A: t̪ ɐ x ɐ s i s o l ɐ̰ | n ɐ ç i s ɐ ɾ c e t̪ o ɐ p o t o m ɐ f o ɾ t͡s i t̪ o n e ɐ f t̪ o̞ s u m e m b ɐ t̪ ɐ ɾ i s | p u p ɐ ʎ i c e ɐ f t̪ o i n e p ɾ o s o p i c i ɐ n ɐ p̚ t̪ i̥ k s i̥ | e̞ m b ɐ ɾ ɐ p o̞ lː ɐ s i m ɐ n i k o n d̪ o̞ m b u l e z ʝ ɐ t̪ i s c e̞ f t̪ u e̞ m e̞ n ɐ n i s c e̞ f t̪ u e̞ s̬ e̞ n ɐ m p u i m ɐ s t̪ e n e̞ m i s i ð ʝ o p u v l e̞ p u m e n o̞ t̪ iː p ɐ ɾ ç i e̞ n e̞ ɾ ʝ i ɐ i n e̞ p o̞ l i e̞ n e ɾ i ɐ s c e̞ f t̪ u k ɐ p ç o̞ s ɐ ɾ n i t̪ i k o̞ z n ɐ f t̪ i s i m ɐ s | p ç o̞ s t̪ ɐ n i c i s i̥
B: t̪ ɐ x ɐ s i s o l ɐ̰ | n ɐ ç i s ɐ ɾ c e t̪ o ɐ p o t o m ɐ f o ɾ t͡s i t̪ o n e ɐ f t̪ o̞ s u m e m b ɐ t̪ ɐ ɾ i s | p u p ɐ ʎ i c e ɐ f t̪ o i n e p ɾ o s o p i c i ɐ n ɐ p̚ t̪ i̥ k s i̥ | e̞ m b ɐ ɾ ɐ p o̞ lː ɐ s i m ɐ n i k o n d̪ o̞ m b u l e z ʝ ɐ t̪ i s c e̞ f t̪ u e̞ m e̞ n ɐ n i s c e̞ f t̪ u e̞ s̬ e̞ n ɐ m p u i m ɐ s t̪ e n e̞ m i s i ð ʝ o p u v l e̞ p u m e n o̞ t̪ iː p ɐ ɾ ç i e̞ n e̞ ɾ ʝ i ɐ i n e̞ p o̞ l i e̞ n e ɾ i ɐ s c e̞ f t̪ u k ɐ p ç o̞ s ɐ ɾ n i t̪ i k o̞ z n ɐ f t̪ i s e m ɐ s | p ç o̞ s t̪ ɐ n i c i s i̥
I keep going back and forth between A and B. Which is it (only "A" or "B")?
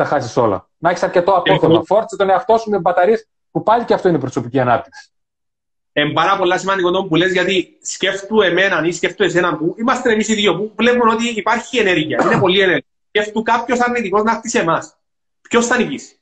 B